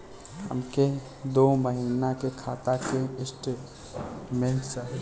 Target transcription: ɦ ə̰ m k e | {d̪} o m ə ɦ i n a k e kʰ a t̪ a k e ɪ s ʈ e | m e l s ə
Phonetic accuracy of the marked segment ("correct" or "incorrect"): correct